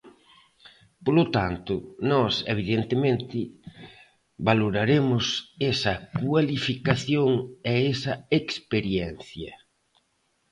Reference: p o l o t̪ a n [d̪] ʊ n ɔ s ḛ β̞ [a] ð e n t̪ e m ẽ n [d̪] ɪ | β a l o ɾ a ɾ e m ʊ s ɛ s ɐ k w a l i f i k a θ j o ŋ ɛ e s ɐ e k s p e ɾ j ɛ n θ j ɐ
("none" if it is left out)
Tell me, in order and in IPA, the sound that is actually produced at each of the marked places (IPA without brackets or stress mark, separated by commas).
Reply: t̪, i, t̪